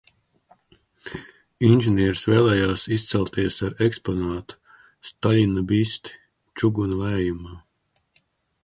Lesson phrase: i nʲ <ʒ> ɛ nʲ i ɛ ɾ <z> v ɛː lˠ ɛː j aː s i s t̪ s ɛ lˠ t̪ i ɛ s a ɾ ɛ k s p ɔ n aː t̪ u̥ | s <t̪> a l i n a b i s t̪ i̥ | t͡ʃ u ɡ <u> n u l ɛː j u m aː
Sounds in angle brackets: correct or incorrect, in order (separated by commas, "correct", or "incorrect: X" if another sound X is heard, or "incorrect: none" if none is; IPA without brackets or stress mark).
correct, incorrect: s, correct, correct